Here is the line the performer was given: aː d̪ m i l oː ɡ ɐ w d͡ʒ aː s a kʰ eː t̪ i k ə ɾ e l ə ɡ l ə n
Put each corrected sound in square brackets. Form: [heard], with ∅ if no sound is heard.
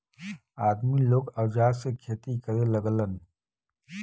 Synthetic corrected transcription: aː d̪ m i l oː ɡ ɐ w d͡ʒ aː s [e] kʰ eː t̪ i k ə ɾ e l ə ɡ l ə n